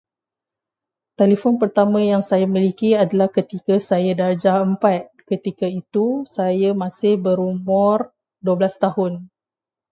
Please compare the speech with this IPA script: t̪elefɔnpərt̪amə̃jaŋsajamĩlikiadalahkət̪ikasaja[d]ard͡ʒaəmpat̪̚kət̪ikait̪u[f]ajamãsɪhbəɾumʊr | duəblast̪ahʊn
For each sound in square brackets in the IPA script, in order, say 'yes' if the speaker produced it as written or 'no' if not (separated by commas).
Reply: yes, no